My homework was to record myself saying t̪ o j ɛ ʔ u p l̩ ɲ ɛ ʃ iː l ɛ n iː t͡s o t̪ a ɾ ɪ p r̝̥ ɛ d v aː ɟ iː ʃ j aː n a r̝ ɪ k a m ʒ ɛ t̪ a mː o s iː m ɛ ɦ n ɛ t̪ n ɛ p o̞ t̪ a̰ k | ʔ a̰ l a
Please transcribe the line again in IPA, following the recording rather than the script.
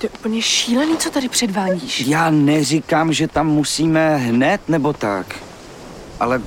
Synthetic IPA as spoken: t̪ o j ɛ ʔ u p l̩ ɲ ɛ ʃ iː l ɛ n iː t͡s o t̪ a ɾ ɪ p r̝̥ ɛ d v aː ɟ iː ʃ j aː n ɛ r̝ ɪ k a m ʒ ɛ t̪ a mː u s iː m ɛ ɦ n ɛ t̪ n ɛ b o̞ t̪ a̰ k | ʔ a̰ l ɛ